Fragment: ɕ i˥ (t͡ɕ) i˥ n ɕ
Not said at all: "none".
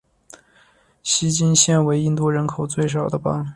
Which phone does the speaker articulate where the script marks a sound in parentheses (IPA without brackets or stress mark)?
t͡ɕ